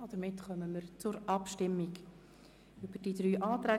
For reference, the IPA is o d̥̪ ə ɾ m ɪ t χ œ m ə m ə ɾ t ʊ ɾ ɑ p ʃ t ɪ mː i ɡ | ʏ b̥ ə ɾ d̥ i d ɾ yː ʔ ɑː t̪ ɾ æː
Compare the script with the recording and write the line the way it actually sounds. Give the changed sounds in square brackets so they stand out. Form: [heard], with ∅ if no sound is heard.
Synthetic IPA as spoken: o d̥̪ ə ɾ m ɪ t χ œ m ə m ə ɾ [t͡s] ʊ ɾ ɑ p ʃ t ɪ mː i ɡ | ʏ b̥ ə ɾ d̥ i d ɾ yː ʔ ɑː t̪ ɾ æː